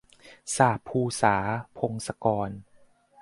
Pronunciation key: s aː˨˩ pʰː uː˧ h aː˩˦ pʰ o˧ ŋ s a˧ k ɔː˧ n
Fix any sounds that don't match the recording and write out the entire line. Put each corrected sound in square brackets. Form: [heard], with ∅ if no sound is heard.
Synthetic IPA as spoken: s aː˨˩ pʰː uː˧ [s] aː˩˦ pʰ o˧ ŋ s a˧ k ɔː˧ n